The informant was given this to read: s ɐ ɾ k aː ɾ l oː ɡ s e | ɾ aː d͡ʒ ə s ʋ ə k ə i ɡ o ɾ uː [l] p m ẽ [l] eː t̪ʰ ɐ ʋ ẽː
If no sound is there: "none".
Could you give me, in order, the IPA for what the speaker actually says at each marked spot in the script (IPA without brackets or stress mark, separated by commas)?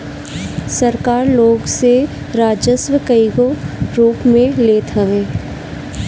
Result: none, l